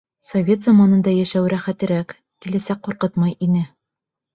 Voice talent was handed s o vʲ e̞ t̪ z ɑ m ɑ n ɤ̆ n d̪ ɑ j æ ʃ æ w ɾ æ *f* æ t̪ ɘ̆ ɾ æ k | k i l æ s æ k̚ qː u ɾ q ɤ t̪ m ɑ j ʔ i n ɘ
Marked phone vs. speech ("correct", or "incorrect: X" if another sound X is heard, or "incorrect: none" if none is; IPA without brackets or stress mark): incorrect: χ